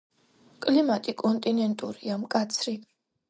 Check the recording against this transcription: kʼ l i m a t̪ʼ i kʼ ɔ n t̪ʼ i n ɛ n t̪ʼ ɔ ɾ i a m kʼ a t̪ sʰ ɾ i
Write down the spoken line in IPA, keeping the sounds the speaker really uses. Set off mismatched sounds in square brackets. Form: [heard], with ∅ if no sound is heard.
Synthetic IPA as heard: kʼ l i m a t̪ʼ i kʼ ɔ n t̪ʼ i n ɛ n t̪ʼ [u] ɾ i a m kʼ a t̪ sʰ ɾ i